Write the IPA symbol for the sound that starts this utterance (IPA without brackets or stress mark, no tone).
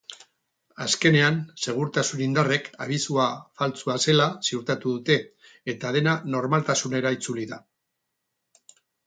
a